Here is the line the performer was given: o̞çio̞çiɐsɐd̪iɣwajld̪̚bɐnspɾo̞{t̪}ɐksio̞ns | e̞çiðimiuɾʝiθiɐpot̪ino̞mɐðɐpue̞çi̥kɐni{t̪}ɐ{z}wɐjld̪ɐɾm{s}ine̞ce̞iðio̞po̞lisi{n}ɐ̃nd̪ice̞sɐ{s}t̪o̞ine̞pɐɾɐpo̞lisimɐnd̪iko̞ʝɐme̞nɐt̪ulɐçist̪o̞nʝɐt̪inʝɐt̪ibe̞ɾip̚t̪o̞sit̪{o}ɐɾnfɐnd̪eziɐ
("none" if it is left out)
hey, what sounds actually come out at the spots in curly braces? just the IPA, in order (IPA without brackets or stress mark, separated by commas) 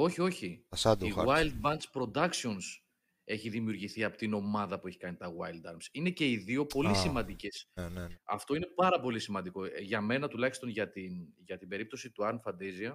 d̪, t̪, ɣ, s, m, f, u